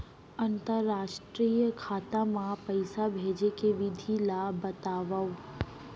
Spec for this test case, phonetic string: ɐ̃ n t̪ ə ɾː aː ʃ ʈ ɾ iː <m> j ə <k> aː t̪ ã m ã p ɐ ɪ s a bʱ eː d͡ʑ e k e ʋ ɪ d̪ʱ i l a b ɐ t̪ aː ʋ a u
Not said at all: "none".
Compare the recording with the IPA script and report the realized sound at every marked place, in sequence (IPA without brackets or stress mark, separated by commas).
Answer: none, kʰ